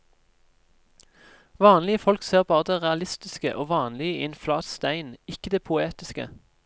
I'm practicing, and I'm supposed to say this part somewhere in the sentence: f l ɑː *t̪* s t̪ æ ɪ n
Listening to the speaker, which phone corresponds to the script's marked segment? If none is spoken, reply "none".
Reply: t̪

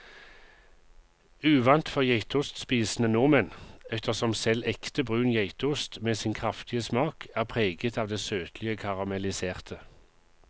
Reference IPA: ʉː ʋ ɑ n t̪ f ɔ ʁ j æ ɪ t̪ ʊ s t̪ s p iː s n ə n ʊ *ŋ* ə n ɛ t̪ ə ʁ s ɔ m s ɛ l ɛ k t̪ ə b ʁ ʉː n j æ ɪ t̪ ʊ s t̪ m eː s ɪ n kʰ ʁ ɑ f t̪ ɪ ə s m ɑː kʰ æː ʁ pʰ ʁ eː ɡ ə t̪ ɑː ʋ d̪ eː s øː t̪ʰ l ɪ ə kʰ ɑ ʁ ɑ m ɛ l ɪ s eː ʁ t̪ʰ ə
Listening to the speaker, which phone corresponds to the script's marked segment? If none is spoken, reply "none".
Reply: m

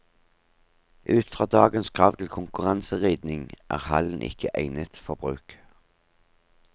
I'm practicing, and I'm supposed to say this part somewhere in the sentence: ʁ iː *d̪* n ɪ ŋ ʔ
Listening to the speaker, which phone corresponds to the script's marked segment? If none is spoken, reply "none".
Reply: d̪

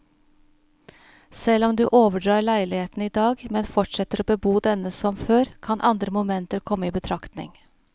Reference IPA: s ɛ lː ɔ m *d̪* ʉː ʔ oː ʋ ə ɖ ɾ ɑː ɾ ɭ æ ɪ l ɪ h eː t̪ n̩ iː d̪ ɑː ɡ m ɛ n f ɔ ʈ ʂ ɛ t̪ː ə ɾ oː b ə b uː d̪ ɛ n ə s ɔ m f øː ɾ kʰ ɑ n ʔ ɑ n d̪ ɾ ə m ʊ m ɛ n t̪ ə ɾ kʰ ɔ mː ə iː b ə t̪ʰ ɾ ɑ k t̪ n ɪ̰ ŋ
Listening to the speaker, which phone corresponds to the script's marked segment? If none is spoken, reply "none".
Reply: d̪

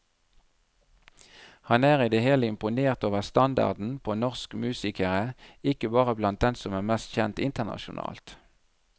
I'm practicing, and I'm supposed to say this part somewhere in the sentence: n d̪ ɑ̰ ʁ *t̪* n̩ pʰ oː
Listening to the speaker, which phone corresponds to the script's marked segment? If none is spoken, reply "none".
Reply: d̪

